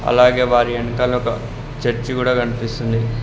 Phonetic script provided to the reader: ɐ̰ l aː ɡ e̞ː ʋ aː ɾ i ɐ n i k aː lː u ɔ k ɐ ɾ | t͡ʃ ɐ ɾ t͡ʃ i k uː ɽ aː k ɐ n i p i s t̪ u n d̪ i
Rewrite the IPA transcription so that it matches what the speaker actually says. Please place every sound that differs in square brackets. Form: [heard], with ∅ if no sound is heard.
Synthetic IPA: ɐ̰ l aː ɡ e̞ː ʋ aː ɾ i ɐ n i k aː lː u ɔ k ɐ [∅] | t͡ʃ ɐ ɾ t͡ʃ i k uː ɽ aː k ɐ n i p i s t̪ u n d̪ i